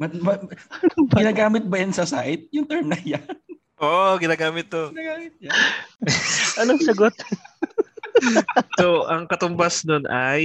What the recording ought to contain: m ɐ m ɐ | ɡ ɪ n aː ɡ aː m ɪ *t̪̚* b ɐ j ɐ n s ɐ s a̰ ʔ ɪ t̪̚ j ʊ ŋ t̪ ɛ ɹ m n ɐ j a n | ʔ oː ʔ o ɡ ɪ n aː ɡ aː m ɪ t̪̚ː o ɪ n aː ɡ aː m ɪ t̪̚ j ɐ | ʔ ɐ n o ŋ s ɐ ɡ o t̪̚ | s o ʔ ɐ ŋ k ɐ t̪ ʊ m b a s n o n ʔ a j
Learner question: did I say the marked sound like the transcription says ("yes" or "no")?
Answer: yes